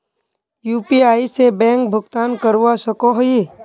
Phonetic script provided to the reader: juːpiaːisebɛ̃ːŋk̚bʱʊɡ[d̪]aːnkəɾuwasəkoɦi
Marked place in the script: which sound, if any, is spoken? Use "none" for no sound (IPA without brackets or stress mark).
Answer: t̪